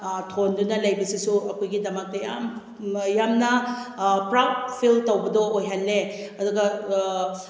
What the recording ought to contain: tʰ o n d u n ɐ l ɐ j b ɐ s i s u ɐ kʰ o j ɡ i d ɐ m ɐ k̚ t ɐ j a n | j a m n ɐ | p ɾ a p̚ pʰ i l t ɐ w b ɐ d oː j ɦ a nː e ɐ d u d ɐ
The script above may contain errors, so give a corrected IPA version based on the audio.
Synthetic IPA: tʰ o n d u n ɐ l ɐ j b ɐ s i s u ɐ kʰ o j ɡ i d ɐ m ɐ k̚ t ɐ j a m | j a m n ɐ | p ɾ a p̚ pʰ i l t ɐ w b ɐ d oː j ɦ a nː e ɐ d u ɡ ɐ